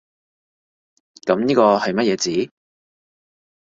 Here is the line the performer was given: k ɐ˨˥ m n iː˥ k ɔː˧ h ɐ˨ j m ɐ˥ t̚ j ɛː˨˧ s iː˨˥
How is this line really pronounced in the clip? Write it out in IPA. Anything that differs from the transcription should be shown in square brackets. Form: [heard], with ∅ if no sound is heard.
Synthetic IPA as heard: k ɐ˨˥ m n iː˥ k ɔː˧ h ɐ˨ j m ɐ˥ t̚ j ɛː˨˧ [t͡s] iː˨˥